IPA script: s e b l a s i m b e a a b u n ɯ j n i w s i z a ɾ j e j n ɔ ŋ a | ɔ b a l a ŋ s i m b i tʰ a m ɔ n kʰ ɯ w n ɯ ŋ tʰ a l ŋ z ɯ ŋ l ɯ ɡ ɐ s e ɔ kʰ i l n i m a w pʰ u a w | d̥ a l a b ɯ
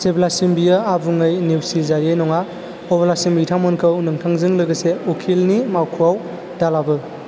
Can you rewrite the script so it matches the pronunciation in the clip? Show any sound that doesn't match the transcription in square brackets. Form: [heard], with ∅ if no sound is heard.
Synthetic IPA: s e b l a s i m b [i] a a b u [ŋ] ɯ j n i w s i z a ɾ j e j n ɔ ŋ a | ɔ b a l a [∅] s i m b i tʰ a m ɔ n kʰ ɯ w n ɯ ŋ tʰ a [∅] ŋ z ɯ ŋ l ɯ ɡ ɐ s e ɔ kʰ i l n i m a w [kʰ] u a w | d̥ a l a b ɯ